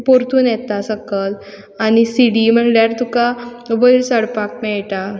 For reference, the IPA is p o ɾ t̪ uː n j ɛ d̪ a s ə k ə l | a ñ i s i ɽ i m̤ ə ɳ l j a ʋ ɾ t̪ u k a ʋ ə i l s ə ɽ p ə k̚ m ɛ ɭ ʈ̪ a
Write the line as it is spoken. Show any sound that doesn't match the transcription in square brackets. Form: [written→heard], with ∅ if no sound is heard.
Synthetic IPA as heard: p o ɾ t̪ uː n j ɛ [d̪→t̪] a s ə k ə l | a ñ i s i ɽ i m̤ ə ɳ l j a [ʋ→∅] ɾ t̪ u k a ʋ ə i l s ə ɽ p [ə→a] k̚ m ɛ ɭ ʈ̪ a